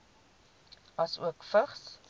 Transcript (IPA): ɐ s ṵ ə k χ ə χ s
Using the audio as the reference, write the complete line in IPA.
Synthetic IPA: ɐ s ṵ ə k f ə χ s